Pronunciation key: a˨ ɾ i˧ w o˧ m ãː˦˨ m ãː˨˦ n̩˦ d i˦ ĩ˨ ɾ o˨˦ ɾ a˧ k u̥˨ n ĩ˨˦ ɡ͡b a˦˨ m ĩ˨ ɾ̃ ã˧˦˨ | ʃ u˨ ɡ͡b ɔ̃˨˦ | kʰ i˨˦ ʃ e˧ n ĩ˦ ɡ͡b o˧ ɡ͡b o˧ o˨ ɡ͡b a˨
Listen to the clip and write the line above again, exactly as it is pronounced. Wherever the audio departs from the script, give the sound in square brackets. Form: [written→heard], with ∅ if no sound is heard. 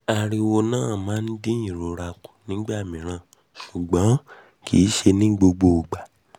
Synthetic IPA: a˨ ɾ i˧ w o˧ [m→n] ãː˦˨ m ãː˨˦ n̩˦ d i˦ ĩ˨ ɾ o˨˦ ɾ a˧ k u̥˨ n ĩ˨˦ ɡ͡b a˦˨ m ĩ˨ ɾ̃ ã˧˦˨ | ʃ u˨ ɡ͡b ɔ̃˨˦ | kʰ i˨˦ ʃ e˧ n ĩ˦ ɡ͡b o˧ ɡ͡b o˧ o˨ ɡ͡b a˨

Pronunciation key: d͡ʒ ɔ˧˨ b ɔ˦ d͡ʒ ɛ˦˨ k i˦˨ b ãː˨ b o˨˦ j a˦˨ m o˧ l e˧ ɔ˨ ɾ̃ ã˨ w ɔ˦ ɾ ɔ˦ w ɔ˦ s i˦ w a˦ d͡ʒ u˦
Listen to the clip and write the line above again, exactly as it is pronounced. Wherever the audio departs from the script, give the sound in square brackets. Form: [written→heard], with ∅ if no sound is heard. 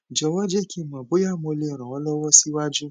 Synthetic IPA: d͡ʒ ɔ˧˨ [b→w] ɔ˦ d͡ʒ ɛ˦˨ k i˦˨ [b→m] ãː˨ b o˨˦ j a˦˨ m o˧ l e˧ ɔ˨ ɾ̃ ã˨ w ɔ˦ [ɾ→l] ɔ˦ w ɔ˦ s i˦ w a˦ d͡ʒ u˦

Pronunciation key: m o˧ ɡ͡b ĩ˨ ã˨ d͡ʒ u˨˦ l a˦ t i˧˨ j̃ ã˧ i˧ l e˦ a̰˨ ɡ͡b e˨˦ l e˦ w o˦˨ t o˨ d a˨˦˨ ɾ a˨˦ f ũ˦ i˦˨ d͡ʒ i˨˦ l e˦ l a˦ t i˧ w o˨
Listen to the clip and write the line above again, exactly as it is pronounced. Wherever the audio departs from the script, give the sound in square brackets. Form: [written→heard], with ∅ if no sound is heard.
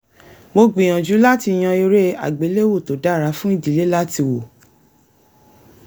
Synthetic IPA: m o˧ ɡ͡b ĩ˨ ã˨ d͡ʒ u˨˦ l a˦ t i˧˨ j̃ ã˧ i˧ [l→ɾ] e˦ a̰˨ ɡ͡b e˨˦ l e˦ w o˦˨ t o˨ d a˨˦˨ ɾ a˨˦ f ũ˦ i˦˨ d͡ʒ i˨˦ l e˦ l a˦ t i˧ w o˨

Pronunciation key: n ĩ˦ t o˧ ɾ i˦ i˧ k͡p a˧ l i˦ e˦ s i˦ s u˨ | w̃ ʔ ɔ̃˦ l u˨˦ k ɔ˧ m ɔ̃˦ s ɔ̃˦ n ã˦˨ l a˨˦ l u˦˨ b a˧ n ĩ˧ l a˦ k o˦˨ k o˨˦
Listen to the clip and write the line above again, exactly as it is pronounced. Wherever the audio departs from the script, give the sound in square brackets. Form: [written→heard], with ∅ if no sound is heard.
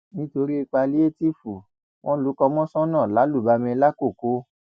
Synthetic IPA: n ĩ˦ t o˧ ɾ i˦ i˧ k͡p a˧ l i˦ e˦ [s→t] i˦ [s→f] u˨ | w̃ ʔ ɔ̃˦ l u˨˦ k ɔ˧ m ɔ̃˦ s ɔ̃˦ n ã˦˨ l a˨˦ l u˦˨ b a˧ [n→m] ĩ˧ l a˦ k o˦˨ k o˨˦

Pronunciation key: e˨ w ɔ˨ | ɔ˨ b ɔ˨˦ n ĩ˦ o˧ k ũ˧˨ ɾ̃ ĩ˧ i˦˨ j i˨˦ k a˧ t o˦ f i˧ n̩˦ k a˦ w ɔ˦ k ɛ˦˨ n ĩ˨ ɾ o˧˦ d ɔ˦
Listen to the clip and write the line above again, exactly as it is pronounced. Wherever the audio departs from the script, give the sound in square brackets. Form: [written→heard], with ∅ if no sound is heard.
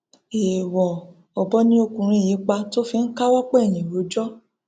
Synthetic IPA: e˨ w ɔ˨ | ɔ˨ b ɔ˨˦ n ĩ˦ o˧ k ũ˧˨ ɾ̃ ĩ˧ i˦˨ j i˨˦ [k→k͡p] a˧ t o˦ f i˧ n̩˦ k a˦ w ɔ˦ [k→k͡p] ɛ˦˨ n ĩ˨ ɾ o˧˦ [d→d͡ʒ] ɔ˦

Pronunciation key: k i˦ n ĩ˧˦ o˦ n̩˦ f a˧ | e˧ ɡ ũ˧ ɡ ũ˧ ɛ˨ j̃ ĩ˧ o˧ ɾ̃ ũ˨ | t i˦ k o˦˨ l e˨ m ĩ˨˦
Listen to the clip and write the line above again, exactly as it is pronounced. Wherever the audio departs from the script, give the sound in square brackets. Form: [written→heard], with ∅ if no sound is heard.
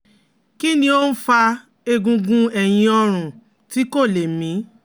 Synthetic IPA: k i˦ n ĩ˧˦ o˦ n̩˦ f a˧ | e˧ ɡ ũ˧ ɡ ũ˧ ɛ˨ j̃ ĩ˧ [o˧→ɔ˧] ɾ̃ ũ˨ | t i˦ k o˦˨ l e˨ m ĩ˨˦

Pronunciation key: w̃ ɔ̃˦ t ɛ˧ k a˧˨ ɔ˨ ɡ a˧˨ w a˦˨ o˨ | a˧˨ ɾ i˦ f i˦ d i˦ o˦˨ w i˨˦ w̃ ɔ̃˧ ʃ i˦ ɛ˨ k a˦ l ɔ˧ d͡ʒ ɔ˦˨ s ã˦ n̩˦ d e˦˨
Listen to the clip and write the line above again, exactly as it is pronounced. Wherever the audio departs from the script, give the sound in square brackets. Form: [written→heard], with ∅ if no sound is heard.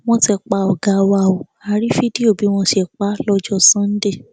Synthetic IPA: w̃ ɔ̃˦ t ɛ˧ [k→k͡p] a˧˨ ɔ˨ ɡ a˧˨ w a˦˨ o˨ | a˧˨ ɾ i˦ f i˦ d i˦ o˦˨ [w→b] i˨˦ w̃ ɔ̃˧ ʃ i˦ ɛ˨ [k→k͡p] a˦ l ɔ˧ d͡ʒ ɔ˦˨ s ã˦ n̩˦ d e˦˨

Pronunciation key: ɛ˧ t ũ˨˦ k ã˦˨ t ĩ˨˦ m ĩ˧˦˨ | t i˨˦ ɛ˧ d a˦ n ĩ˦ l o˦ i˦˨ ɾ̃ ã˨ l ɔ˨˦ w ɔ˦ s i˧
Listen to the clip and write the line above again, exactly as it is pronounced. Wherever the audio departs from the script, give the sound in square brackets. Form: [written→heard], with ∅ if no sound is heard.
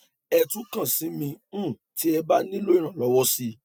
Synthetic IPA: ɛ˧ t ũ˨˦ k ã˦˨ [t→s] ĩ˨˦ m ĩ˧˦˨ | t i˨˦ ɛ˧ [d→b] a˦ n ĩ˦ l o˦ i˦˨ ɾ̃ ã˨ l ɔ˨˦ w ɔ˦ s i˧

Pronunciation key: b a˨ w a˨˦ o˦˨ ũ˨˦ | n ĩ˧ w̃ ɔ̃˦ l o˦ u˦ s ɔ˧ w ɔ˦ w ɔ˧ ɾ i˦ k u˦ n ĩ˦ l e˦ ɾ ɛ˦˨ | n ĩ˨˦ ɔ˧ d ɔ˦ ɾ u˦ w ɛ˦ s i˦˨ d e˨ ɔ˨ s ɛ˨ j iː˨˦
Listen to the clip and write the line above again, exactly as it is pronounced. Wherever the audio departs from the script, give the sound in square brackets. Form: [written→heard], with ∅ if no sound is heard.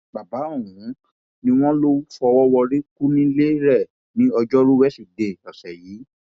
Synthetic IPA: b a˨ [w→b] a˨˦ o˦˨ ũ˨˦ | n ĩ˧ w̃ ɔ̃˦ l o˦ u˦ [s→f] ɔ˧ w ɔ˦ w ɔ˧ ɾ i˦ k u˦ n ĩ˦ l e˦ ɾ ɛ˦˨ | n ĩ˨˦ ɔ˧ [d→d͡ʒ] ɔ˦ ɾ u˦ w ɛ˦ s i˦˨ d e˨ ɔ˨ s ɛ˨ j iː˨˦

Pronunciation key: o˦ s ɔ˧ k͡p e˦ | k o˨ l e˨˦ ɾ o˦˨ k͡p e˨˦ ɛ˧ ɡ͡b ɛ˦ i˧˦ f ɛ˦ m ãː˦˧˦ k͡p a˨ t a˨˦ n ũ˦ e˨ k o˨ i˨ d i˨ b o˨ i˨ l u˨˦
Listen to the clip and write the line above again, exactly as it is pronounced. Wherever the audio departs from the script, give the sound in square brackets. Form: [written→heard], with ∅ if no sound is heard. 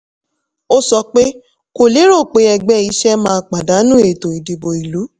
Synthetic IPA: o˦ s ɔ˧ k͡p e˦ | k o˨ l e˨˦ ɾ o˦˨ k͡p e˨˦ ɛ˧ ɡ͡b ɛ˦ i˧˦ [f→ʃ] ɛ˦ m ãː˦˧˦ k͡p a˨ [t→d] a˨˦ n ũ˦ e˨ [k→t] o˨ i˨ d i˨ b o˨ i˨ l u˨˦

